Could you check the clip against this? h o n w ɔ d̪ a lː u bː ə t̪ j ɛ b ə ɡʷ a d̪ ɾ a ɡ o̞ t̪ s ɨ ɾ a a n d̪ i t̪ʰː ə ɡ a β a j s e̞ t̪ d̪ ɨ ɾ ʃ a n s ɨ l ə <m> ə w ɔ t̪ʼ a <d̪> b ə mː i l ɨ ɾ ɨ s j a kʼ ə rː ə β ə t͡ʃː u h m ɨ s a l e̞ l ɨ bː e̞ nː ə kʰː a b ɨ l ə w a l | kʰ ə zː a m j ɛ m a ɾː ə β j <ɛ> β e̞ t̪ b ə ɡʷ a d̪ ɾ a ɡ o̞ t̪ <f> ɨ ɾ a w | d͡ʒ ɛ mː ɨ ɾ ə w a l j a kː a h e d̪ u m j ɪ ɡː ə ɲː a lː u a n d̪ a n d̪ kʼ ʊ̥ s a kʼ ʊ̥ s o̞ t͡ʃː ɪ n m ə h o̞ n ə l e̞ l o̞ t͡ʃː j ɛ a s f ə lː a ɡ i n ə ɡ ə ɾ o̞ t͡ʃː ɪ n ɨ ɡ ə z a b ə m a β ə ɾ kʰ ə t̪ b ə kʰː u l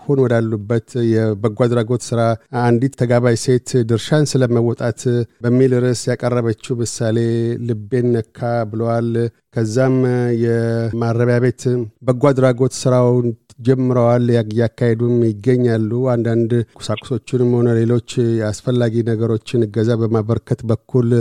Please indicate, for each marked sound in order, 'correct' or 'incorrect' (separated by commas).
correct, incorrect, incorrect, incorrect